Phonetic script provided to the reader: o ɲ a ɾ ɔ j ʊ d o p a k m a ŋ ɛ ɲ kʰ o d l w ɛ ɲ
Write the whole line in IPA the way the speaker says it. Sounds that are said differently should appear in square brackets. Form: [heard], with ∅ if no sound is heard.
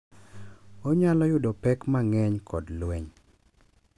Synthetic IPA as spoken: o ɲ a [l] ɔ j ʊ d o p [ɛ] k m a ŋ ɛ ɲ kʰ [ɔ] d l w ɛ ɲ